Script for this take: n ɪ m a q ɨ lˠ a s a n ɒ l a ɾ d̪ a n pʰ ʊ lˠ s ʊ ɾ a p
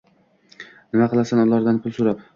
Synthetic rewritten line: n ɪ m a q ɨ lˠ a s a n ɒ l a ɾ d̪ a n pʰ ʊ lˠ s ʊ ɾ a p